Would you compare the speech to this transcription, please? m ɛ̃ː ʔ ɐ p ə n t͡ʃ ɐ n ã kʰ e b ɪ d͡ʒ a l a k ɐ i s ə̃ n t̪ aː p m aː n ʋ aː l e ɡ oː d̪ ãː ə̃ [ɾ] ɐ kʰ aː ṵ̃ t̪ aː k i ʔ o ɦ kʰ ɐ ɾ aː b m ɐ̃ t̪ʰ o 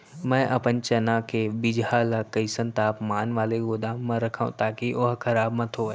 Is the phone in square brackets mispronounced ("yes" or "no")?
no